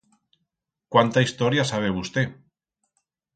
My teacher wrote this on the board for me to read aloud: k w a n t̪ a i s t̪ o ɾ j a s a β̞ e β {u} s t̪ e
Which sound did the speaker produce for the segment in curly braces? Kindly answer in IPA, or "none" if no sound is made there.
u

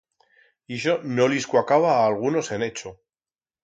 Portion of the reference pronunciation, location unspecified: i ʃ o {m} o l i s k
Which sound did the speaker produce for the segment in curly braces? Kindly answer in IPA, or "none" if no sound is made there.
n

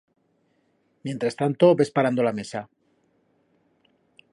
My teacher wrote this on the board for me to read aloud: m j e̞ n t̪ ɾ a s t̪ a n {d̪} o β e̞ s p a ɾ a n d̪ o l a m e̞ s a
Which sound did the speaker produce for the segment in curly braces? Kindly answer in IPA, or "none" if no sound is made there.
t̪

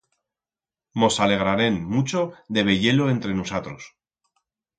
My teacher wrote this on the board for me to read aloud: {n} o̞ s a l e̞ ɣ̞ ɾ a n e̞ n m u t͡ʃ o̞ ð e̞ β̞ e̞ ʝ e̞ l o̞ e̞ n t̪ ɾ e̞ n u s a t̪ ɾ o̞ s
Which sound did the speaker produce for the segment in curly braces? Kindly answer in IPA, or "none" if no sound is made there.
m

